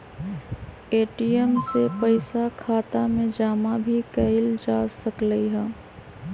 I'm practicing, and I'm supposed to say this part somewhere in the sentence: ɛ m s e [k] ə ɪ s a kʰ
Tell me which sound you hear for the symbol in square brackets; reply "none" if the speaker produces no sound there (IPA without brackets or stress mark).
p